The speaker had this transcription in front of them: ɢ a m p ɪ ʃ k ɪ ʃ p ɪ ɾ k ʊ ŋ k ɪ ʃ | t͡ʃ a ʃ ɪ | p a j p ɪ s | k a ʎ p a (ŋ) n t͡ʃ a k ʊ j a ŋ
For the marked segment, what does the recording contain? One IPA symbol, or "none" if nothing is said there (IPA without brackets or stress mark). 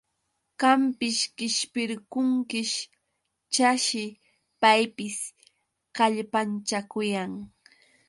none